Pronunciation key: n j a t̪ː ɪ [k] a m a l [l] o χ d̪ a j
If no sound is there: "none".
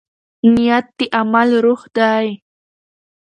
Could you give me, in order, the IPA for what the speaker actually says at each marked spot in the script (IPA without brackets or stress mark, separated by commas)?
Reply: ʔ, ɾ